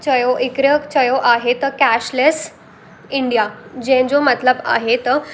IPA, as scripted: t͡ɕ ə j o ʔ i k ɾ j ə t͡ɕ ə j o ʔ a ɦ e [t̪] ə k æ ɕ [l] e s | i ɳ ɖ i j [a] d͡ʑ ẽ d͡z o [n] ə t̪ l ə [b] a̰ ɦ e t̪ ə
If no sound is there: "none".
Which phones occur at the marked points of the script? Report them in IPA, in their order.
t̪, l, a, m, b

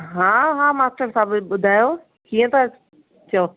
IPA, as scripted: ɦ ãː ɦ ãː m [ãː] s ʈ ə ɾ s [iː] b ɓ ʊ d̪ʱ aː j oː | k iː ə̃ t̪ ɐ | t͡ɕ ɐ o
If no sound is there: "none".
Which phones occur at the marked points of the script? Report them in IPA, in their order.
aː, aː

